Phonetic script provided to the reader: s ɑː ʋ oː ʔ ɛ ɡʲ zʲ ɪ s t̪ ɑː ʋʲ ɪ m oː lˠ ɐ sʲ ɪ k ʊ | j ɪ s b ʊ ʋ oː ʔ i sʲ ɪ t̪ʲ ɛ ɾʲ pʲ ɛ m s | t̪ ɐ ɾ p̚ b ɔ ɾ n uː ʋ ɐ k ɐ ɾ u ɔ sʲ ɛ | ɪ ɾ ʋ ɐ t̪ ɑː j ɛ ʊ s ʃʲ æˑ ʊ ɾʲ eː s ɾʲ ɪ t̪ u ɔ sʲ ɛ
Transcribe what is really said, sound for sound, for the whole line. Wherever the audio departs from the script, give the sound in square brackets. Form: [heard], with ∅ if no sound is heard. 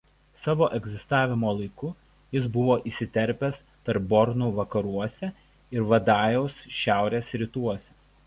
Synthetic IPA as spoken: s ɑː ʋ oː ʔ ɛ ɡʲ zʲ ɪ s t̪ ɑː ʋʲ ɪ m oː lˠ ɐ [∅] ɪ k ʊ | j ɪ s b ʊ ʋ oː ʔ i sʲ ɪ t̪ʲ ɛ ɾʲ pʲ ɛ [∅] s | t̪ ɐ ɾ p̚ b ɔ ɾ n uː ʋ ɐ k ɐ ɾ u ɔ sʲ ɛ | ɪ ɾ ʋ ɐ [d̪] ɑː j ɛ ʊ s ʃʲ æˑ ʊ ɾʲ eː s ɾʲ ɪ t̪ u ɔ sʲ ɛ